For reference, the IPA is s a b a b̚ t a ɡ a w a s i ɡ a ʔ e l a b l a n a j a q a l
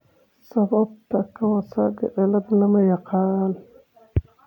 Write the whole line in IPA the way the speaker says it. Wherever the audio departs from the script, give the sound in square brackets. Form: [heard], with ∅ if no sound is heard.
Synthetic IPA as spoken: s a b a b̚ t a [k] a w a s [a] ɡ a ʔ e l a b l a [m] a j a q a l